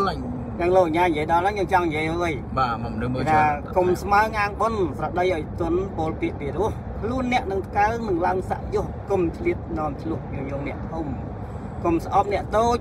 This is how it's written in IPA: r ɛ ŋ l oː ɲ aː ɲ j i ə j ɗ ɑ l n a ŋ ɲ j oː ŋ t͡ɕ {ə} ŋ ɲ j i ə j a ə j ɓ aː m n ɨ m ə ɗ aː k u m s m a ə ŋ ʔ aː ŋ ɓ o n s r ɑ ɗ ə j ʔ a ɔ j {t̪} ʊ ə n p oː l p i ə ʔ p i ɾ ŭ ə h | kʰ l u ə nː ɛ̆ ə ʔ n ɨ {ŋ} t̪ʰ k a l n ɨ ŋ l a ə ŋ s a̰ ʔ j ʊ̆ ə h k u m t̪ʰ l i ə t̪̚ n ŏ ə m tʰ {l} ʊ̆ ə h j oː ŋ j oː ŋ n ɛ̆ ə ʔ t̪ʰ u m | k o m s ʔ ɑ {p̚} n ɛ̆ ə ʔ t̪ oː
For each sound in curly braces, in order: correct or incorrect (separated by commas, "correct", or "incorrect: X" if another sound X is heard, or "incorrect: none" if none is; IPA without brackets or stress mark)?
incorrect: ɑ, correct, correct, correct, correct